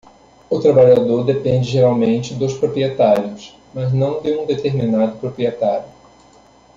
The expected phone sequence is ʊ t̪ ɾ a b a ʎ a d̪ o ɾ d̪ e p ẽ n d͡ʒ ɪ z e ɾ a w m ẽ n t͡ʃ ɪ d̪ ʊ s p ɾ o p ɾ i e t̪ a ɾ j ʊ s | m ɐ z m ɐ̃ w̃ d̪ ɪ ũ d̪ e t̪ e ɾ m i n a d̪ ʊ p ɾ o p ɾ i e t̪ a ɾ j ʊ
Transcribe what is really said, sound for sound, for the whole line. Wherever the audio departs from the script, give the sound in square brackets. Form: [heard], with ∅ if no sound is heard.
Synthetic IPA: ʊ t̪ ɾ a b a ʎ a d̪ o ɾ d̪ e p ẽ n d͡ʒ ɪ [ʒ] e ɾ a w m ẽ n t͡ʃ ɪ d̪ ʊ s p ɾ o p ɾ i e t̪ a ɾ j ʊ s | m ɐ z [n] ɐ̃ w̃ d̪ ɪ ũ d̪ e t̪ e ɾ m i n a d̪ ʊ p ɾ o p ɾ i e t̪ a ɾ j ʊ